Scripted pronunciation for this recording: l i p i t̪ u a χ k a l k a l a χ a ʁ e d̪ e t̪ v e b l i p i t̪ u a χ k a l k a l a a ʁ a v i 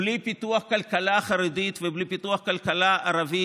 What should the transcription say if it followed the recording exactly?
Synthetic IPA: l i p i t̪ u a χ k a l k a l a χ a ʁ e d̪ i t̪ v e b l i p i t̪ u a χ k a l k a l a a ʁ a v i